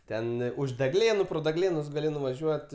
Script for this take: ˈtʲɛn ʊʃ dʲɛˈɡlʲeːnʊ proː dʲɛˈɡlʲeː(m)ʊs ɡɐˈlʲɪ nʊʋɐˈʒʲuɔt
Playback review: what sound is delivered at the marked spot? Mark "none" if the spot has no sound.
n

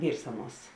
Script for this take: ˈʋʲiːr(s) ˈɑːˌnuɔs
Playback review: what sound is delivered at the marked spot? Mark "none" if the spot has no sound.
s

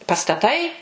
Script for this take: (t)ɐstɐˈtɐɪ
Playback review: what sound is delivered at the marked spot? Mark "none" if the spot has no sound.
p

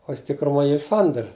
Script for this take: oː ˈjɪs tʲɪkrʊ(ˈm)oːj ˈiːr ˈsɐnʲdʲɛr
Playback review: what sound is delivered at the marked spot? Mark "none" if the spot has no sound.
m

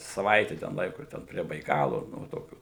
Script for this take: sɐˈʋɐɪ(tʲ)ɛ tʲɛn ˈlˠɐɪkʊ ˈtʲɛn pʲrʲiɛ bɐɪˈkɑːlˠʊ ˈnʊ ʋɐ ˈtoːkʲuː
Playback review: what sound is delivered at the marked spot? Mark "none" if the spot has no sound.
tʲ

